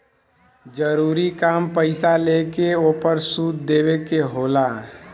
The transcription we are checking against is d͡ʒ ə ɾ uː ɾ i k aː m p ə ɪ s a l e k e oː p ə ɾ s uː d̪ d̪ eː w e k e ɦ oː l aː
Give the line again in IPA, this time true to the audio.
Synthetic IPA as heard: d͡ʒ ə ɾ uː ɾ i k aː m p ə ɪ s a l e k e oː p ə ɾ s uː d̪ d̪ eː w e k e ɦ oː l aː